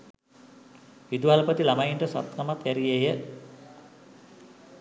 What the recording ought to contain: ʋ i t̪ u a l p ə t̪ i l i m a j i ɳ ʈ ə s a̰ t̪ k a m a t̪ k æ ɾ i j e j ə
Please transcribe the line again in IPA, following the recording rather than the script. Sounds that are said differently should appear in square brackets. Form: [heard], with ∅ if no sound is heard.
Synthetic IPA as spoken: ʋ i [d̪] u a l p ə t̪ i l [a] m a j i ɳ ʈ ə s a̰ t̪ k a m a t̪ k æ ɾ i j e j ə